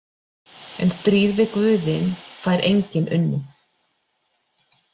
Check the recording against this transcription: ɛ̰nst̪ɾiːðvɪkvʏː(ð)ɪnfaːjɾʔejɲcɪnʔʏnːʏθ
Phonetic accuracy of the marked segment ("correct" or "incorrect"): correct